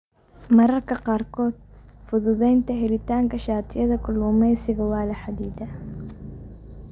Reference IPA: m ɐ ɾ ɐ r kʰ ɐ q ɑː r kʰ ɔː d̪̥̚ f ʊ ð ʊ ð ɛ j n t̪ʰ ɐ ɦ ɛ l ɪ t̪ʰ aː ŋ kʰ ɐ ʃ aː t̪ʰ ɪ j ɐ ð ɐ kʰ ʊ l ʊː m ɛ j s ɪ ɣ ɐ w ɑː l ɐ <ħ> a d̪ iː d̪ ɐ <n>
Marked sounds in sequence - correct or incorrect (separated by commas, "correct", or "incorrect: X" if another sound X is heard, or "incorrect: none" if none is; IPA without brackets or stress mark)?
correct, incorrect: none